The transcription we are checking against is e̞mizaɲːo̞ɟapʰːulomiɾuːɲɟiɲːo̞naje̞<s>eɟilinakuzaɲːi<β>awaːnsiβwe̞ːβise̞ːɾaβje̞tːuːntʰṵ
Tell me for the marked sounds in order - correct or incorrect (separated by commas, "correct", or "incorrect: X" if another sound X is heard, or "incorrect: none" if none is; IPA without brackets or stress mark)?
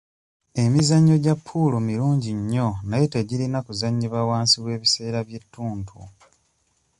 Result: incorrect: t, correct